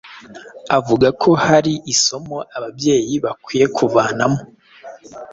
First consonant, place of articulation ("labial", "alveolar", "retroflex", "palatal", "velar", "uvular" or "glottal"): labial